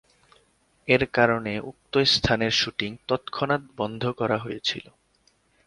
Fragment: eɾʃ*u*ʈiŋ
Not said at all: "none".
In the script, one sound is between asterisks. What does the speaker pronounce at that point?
u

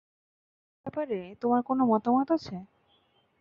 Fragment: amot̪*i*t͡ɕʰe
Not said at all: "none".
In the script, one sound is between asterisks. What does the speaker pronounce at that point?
a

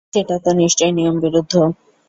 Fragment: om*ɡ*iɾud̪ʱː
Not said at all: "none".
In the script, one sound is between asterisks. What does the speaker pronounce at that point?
b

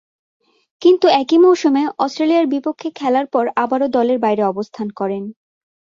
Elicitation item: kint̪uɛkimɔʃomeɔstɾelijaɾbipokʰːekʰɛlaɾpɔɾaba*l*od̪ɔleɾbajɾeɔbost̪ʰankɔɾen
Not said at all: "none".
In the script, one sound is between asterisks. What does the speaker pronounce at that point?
ɾ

